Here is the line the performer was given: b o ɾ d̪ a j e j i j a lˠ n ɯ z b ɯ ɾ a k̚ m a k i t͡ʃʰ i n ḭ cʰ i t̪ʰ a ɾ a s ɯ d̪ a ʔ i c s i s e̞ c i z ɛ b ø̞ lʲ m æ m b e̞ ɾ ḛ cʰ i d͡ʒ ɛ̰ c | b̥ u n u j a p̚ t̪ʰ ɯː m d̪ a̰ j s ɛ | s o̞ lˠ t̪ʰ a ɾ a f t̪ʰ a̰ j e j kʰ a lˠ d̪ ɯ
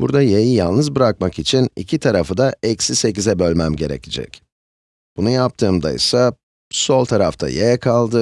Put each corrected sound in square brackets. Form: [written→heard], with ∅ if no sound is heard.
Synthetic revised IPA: b [o→u] ɾ d̪ a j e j i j a lˠ n ɯ z b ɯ ɾ a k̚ m a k i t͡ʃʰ i n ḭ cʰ i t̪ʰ a ɾ a [s→f] ɯ d̪ a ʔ [i→ɛ] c s i s e̞ c i z ɛ b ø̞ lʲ m æ m [b→ɟ] e̞ ɾ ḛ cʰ i d͡ʒ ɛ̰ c | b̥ u n u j a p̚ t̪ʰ ɯː m d̪ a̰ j s [ɛ→a] | s o̞ lˠ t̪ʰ a ɾ a f t̪ʰ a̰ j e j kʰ a lˠ d̪ ɯ

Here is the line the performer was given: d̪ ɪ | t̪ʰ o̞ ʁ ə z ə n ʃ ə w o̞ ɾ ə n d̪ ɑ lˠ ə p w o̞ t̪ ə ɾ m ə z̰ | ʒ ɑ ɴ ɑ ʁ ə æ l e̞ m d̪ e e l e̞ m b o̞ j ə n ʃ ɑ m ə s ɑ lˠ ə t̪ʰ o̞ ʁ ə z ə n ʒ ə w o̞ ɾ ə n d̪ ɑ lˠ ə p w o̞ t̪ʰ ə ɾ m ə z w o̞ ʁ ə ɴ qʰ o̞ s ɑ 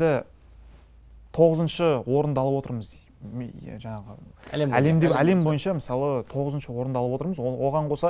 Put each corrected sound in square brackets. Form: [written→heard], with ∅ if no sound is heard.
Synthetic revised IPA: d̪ ɪ | t̪ʰ o̞ ʁ ə z ə n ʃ ə w o̞ ɾ ə n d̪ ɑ lˠ ə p w o̞ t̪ ə ɾ m ə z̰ | ʒ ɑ ɴ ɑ ʁ ə æ l e̞ m d̪ e [e→æ] l e̞ m b o̞ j ə n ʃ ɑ m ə s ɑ lˠ ə t̪ʰ o̞ ʁ ə z ə n [ʒ→ʃ] ə w o̞ ɾ ə n d̪ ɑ lˠ ə p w o̞ [t̪ʰ→t̪] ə ɾ m ə z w o̞ ʁ [ə→ɑ] ɴ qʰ o̞ s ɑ

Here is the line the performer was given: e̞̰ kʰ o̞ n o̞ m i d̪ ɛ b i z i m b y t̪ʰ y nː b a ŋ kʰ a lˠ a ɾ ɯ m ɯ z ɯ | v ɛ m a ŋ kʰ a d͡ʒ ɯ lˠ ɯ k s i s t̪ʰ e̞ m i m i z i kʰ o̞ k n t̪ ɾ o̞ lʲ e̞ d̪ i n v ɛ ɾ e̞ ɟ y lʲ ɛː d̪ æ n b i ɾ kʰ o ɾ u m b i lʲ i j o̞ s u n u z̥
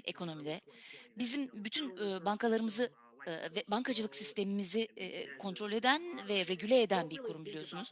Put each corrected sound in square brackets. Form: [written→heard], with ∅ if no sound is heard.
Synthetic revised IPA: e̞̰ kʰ o̞ n o̞ m i d̪ ɛ b i z i m b y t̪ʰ y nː b a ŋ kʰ a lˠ a ɾ ɯ m ɯ z ɯ | v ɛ [m→b] a ŋ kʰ a d͡ʒ ɯ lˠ ɯ k s i s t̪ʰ e̞ m i m i z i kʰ o̞ [k→∅] n t̪ ɾ o̞ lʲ e̞ d̪ [i→æ] n v ɛ ɾ e̞ ɟ y lʲ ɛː d̪ æ n b i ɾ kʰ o ɾ u m b i lʲ i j o̞ s u n u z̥

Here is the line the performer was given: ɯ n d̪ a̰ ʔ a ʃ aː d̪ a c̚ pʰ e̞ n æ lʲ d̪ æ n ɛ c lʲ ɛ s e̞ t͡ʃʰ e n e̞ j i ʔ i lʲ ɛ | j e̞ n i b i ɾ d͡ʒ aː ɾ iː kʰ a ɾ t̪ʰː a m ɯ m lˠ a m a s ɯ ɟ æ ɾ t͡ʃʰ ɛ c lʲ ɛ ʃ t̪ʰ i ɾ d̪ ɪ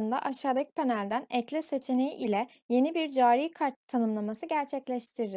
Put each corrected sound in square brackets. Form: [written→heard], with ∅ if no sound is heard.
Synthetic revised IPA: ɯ n d̪ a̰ ʔ a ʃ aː d̪ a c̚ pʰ e̞ n æ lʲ d̪ æ n ɛ c lʲ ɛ s e̞ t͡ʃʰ e n e̞ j i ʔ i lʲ ɛ | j e̞ n i b i ɾ d͡ʒ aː ɾ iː kʰ a ɾ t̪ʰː a [m→n] ɯ m lˠ a m a s ɯ ɟ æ ɾ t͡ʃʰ ɛ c lʲ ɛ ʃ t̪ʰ i ɾ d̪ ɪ

